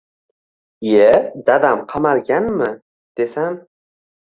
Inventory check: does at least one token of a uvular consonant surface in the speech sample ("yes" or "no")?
yes